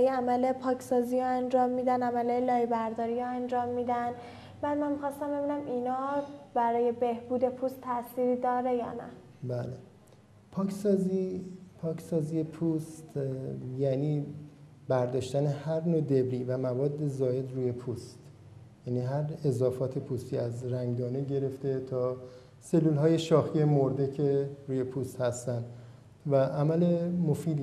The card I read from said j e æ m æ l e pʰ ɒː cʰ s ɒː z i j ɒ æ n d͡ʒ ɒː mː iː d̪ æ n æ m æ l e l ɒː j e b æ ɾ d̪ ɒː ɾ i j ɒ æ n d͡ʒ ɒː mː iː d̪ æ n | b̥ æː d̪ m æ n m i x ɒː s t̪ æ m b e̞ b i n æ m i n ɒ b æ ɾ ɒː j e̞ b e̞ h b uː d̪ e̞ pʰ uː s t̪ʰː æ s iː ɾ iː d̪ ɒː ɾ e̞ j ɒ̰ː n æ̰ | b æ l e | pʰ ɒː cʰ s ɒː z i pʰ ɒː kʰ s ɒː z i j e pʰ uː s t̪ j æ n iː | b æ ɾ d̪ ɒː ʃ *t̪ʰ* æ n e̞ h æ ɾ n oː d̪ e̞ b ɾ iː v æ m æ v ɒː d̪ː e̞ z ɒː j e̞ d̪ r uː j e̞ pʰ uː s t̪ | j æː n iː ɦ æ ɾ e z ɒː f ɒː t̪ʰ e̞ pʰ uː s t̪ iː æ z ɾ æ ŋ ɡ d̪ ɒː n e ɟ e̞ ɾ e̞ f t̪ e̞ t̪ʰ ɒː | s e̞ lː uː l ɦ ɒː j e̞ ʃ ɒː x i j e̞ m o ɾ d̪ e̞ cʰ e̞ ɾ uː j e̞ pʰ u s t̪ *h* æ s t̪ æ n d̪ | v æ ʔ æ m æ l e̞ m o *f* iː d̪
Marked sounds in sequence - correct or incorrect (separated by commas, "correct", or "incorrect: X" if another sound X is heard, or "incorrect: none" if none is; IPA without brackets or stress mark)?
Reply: incorrect: t̪, correct, correct